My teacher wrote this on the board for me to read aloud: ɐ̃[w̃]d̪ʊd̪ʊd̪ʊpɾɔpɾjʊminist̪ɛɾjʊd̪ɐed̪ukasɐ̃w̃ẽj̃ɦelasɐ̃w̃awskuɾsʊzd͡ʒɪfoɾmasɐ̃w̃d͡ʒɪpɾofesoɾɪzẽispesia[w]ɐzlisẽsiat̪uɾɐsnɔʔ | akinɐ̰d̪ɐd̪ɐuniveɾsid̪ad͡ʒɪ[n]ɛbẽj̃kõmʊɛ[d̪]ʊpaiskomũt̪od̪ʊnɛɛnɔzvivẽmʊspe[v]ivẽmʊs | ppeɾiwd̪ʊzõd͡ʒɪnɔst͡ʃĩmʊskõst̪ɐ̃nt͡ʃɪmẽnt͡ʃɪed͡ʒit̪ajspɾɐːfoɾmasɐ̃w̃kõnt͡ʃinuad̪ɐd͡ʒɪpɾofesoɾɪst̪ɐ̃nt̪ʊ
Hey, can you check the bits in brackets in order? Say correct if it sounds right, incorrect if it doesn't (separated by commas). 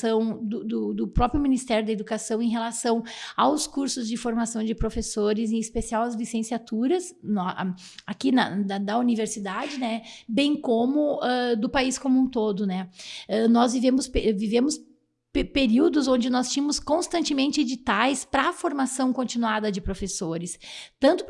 correct, correct, correct, correct, correct